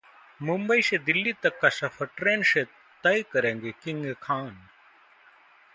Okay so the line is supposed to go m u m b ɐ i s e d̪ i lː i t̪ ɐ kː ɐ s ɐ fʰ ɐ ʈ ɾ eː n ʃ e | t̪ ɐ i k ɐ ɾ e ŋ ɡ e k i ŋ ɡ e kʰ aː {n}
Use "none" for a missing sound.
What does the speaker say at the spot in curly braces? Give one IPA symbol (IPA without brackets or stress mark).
n